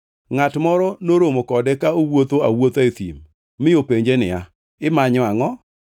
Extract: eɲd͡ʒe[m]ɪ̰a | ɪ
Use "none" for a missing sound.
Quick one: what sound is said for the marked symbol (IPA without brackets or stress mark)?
n